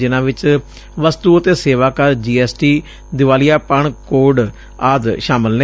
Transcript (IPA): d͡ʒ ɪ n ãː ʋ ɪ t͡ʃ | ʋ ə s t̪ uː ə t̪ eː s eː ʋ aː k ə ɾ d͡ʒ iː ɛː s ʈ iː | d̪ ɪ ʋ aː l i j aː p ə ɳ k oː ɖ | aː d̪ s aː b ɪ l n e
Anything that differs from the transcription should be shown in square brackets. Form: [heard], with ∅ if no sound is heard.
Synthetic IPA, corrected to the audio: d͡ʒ ɪ n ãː ʋ ɪ t͡ʃ | ʋ ə s t̪ uː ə t̪ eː s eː ʋ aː k ə ɾ d͡ʒ iː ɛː s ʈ iː | d̪ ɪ ʋ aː l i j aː p ə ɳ k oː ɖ | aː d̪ [ʃ] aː [m] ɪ l n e